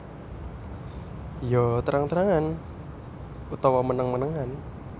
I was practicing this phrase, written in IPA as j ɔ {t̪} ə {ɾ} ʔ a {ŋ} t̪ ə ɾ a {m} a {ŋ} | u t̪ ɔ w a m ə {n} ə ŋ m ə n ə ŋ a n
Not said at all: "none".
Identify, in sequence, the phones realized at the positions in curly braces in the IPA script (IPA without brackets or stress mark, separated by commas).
t̪, ɾ, ŋ, ŋ, n, n